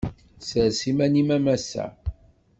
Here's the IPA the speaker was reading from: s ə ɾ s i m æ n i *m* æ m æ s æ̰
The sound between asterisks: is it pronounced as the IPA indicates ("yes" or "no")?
yes